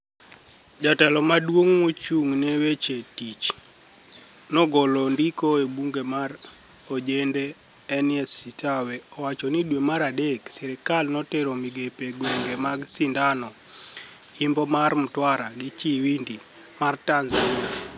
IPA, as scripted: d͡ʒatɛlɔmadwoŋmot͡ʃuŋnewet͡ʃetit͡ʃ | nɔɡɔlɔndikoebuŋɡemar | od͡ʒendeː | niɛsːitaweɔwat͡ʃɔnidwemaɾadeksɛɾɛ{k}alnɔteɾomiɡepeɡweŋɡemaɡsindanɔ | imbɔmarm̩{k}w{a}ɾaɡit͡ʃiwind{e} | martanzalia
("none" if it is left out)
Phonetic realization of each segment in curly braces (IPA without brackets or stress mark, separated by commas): k, t, a, i